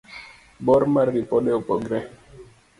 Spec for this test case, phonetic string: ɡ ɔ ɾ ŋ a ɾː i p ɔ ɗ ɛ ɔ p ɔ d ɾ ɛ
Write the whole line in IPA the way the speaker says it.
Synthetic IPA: b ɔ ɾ m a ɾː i p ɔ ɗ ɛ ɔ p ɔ ɡ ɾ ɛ